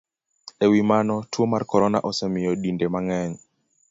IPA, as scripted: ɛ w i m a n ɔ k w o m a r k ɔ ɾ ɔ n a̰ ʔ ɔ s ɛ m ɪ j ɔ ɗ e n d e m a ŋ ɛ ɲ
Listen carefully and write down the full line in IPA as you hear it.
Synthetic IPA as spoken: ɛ w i m a n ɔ t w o m a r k ɔ ɾ ɔ n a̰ ʔ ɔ s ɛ m ɪ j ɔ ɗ i n d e m a ŋ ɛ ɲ

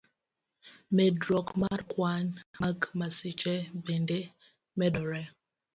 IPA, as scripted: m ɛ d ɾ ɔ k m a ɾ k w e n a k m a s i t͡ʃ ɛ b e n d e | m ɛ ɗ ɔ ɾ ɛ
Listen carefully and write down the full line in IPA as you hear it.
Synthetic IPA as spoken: m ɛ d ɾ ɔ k m a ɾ k w a n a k m a s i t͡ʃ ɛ b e n d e | m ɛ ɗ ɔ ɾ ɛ

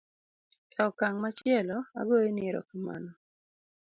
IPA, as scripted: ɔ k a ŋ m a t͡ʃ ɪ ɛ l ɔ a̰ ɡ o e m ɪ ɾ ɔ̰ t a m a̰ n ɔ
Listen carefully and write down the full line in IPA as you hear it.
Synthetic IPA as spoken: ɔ k a ŋ m a t͡ʃ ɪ ɛ l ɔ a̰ ɡ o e n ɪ ɾ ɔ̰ k a m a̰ n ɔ

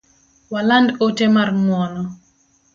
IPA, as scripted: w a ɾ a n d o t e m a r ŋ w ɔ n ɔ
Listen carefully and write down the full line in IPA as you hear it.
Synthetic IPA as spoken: w a l a n d o t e m a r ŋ w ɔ n ɔ

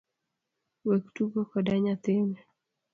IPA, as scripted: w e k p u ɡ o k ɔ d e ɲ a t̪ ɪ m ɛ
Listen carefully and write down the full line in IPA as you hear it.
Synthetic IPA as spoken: w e k t u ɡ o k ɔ d a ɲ a t̪ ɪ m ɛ

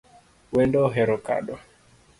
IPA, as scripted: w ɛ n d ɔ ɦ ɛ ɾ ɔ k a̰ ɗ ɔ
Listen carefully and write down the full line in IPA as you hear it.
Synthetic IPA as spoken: w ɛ n d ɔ ɦ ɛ ɾ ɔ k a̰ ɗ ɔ

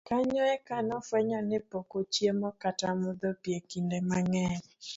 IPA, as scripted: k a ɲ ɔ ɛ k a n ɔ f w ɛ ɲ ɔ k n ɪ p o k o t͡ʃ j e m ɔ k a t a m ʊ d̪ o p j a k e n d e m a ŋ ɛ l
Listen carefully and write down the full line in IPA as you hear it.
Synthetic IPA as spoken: k a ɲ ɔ ɛ k a n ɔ f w ɛ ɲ ɔ n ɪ p o k o t͡ʃ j e m ɔ k a t a m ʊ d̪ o p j e k i n d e m a ŋ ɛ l

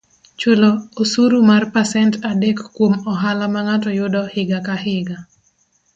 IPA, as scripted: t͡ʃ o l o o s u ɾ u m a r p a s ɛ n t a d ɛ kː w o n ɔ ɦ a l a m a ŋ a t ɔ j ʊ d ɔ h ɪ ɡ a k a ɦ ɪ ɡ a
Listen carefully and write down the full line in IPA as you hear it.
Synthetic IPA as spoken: t͡ʃ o l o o s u ɾ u m a r p a s ɛ n t a d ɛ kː w o m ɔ ɦ a l a m a ŋ a t ɔ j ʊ d ɔ h ɪ ɡ a k a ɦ ɪ ɡ a

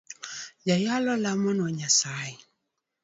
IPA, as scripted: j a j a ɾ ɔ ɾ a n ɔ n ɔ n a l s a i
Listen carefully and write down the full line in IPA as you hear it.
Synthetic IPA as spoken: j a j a l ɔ l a m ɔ n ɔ ɲ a s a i

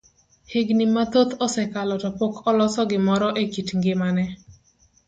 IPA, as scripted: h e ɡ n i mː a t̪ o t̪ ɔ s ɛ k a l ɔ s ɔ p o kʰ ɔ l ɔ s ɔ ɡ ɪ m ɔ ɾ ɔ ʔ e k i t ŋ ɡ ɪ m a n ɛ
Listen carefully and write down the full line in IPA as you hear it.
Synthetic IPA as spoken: h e ɡ n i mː a t̪ o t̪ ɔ s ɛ k a l ɔ t ɔ p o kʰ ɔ l ɔ s ɔ ɡ ɪ m ɔ ɾ ɔ ʔ e k i t ŋ ɡ ɪ m a n ɛ

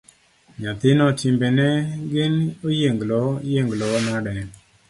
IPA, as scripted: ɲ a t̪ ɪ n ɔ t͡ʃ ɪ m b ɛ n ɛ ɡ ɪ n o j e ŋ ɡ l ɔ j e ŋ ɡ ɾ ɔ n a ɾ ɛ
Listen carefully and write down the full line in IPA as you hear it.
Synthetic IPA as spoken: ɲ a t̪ ɪ n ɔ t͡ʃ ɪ m b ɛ n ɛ ɡ ɪ n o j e ŋ ɡ l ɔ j e ŋ ɡ l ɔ n a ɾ ɛ

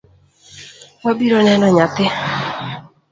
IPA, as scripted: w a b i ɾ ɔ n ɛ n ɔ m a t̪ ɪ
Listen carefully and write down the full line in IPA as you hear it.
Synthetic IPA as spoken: w a b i ɾ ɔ n ɛ n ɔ ɲ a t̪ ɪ

